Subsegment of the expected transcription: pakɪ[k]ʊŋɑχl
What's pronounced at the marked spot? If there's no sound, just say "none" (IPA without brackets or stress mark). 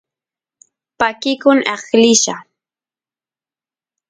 k